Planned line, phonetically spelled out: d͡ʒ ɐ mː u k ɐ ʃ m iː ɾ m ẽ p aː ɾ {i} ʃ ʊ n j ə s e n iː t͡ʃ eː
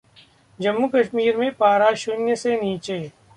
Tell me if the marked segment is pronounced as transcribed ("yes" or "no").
no